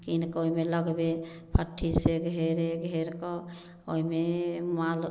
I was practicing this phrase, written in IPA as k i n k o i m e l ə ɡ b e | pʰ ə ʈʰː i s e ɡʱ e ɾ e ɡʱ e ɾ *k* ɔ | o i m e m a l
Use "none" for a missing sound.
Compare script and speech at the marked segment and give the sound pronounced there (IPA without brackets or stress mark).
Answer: k